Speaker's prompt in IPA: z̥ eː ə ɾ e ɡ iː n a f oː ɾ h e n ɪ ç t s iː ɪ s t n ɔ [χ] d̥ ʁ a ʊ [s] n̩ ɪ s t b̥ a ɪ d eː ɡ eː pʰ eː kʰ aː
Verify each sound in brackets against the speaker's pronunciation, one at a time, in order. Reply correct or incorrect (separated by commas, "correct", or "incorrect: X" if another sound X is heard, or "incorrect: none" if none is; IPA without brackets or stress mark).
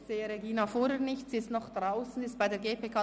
correct, correct